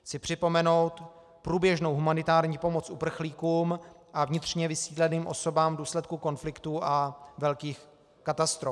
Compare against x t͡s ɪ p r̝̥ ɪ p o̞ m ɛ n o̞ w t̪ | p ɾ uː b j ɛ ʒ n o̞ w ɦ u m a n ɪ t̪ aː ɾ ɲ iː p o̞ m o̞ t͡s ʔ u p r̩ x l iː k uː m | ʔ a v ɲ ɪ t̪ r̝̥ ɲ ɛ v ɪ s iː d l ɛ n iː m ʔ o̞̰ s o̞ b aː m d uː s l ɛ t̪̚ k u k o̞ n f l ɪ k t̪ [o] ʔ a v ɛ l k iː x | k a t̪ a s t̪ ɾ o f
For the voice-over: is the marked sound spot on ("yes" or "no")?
no